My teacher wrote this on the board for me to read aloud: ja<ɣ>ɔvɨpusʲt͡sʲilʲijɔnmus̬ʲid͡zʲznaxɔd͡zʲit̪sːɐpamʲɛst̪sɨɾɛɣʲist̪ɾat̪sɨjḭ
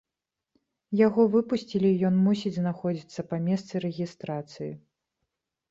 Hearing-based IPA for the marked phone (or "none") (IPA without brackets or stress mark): ɣ